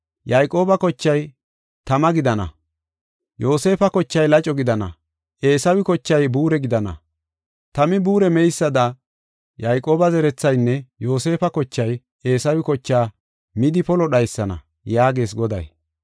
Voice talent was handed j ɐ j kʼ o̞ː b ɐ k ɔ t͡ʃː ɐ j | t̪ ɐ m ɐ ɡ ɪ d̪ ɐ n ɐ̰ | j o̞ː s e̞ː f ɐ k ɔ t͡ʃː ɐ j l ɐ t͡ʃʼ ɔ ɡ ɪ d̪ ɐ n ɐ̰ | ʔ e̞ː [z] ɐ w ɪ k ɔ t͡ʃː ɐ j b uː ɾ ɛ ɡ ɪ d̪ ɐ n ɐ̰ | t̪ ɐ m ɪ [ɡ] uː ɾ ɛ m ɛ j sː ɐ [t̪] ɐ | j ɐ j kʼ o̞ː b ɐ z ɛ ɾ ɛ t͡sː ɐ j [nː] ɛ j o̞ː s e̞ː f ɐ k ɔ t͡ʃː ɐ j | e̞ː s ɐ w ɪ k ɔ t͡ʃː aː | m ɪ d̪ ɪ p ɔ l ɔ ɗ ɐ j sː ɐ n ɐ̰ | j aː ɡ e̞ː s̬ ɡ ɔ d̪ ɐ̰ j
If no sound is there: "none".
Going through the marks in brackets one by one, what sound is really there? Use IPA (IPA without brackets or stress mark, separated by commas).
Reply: s, b, d̪, nː